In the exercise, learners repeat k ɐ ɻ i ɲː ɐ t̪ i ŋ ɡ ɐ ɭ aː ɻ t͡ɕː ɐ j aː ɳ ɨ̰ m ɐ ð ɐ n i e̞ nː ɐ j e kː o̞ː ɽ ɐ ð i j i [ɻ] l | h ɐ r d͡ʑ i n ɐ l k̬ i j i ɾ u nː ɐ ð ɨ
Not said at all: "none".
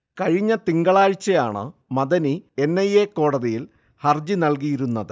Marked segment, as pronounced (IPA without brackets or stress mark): none